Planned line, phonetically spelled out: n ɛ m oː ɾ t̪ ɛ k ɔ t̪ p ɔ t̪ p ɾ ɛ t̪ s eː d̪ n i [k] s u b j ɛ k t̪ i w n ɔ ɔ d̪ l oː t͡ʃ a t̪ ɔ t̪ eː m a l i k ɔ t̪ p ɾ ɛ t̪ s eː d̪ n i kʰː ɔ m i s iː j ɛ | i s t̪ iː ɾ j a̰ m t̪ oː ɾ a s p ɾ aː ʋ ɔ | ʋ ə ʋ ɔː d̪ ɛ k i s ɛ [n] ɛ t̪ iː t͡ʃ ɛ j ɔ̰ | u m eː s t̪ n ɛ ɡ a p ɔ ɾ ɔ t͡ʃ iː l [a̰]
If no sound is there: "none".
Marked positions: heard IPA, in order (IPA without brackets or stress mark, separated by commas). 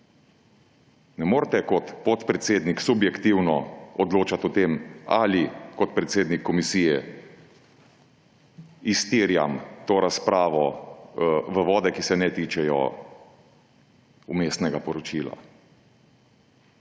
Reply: k, n, a̰